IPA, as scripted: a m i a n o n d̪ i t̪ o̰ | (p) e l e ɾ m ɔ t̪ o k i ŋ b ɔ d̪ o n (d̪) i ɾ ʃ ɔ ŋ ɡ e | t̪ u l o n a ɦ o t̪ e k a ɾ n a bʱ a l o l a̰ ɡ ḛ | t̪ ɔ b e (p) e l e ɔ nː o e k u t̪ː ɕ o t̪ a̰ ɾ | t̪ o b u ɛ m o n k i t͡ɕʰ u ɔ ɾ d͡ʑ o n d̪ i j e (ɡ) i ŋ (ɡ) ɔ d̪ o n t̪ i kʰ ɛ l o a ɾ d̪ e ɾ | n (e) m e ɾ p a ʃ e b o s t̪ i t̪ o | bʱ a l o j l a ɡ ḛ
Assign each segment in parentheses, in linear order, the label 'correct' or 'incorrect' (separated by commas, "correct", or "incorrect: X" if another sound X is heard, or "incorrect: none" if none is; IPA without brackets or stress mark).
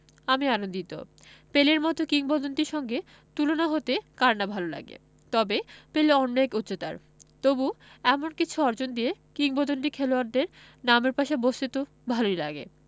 correct, incorrect: t̪, correct, incorrect: k, incorrect: b, incorrect: a